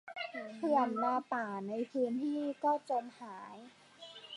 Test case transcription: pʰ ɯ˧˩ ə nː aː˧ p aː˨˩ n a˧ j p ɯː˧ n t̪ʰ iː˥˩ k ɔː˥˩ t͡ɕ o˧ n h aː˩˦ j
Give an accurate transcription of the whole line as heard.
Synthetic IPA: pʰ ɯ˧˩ ə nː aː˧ p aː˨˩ n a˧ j pʰ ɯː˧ n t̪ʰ iː˥˩ k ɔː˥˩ t͡ɕ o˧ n h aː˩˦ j